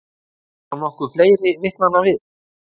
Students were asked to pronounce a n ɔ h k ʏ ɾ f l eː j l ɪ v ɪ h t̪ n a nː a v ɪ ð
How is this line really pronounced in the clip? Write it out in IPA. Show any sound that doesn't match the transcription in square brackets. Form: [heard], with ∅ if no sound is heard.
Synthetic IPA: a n ɔ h k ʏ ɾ f l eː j [ɾ] ɪ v ɪ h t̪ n a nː a v ɪ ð